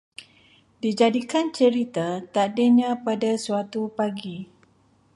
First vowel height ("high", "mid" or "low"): high